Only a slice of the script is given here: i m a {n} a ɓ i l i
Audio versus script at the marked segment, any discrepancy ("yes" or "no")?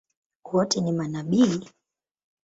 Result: no